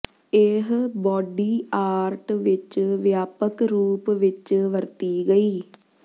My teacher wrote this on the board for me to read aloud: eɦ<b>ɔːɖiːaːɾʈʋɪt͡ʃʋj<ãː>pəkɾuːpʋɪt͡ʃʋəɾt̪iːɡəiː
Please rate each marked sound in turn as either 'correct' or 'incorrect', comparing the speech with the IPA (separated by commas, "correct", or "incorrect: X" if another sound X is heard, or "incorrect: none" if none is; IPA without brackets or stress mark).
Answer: correct, incorrect: aː